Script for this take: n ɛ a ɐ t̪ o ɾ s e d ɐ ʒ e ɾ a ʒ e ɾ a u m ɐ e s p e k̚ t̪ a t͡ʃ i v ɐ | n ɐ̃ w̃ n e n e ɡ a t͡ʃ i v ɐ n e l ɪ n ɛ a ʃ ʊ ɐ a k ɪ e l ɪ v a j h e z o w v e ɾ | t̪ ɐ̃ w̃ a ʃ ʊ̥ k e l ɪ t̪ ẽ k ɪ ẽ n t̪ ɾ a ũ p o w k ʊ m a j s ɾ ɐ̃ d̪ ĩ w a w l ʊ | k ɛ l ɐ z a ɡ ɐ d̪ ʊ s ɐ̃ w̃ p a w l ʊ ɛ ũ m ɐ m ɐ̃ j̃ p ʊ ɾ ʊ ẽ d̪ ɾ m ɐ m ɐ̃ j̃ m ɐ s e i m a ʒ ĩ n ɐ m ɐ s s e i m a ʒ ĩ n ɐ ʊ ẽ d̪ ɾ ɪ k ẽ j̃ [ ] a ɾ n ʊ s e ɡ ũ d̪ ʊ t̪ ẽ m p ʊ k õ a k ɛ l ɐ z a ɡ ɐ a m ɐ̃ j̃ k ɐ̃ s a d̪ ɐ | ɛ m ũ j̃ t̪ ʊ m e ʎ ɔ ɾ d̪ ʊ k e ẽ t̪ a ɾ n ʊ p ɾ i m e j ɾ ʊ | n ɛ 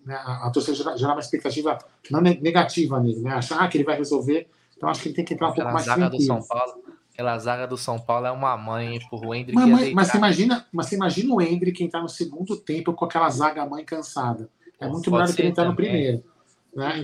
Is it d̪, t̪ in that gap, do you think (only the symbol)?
t̪